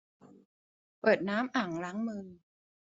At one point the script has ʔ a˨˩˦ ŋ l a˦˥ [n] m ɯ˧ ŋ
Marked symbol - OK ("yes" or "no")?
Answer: no